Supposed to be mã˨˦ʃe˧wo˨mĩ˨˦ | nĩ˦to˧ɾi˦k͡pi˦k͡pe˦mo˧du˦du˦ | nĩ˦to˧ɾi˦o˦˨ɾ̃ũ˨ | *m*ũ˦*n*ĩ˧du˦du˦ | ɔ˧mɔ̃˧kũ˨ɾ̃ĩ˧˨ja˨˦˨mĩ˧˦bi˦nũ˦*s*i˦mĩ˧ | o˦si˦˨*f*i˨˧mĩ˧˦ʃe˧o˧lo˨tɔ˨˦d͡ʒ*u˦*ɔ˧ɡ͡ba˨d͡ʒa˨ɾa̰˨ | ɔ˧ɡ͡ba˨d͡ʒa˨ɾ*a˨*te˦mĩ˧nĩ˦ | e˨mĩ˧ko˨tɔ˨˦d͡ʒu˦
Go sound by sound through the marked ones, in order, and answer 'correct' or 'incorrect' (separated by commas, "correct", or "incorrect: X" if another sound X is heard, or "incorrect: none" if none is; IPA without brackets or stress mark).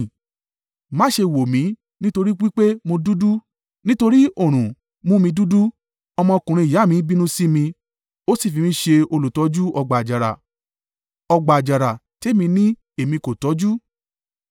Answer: correct, incorrect: m, correct, correct, correct, correct